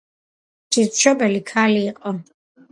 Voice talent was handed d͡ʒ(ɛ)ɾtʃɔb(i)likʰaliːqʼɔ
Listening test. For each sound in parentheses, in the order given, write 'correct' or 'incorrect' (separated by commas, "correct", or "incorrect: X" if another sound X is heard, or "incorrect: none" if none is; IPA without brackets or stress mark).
incorrect: i, incorrect: ɛ